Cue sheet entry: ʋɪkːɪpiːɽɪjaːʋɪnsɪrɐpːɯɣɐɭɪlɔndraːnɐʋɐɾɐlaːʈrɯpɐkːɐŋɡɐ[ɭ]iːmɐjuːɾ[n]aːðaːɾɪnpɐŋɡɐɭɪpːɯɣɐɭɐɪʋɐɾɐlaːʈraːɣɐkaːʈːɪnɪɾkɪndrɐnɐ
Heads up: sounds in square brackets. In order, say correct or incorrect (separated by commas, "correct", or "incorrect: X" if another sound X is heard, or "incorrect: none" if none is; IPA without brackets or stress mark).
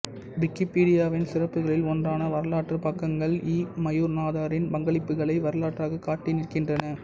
correct, correct